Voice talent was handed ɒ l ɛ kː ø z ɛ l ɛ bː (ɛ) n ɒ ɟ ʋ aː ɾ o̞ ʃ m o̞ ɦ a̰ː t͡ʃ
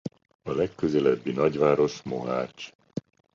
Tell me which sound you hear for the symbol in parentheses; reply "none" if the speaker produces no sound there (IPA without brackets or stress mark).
i